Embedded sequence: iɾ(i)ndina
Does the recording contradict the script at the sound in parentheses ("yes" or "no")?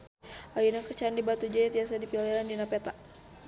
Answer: yes